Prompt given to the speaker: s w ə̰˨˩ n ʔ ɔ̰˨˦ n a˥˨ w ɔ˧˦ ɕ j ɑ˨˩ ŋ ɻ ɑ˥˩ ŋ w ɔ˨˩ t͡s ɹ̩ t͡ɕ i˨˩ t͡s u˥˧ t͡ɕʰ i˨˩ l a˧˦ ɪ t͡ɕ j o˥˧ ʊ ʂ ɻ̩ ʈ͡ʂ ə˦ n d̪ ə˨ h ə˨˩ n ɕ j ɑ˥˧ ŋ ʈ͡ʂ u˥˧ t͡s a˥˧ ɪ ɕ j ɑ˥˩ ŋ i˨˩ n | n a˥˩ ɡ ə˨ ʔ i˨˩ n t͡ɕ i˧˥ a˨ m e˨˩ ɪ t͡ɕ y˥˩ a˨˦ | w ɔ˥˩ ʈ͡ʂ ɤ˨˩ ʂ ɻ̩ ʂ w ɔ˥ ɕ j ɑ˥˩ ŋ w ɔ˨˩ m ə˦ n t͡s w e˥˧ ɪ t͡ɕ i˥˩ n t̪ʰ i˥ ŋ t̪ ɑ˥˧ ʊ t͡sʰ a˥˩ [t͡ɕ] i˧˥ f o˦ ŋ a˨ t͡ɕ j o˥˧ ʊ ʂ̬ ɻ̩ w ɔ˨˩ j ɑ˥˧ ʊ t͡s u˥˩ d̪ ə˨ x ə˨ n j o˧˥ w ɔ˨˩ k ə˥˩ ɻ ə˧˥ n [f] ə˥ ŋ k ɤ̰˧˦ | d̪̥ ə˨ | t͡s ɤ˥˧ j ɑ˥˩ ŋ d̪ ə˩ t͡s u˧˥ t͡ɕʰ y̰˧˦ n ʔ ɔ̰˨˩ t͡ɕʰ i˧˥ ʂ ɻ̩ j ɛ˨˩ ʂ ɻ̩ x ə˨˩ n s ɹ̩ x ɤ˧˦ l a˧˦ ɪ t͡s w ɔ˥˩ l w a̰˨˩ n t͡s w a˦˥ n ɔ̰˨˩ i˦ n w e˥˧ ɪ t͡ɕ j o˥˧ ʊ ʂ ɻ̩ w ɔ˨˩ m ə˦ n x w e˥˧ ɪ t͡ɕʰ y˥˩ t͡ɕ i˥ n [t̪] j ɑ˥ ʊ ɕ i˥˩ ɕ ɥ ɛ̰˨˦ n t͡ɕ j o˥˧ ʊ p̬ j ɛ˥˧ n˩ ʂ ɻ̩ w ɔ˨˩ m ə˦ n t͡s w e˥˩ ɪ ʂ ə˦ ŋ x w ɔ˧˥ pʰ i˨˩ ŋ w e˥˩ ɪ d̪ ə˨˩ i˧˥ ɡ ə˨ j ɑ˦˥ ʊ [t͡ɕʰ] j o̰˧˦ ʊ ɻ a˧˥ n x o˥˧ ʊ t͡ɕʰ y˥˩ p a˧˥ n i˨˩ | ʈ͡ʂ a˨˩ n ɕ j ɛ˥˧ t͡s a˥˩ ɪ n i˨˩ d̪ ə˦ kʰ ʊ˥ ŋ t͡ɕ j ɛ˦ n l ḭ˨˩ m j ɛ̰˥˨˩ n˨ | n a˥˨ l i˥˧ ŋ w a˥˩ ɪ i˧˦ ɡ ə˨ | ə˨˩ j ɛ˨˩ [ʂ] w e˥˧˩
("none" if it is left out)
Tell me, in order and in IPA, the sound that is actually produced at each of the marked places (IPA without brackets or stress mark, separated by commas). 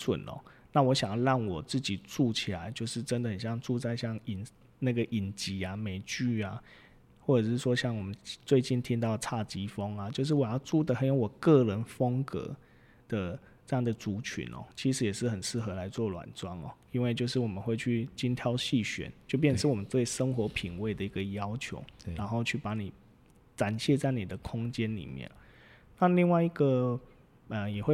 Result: t͡ɕ, f, t̪ʰ, t͡ɕʰ, x